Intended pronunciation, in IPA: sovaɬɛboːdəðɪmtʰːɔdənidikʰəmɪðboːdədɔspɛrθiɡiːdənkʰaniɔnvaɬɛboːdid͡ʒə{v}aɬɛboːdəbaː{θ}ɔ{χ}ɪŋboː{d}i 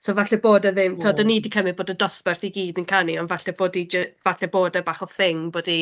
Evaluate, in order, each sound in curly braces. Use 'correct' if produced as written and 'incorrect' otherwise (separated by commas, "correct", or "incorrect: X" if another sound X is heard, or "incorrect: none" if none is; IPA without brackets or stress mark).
correct, incorrect: χ, incorrect: θ, correct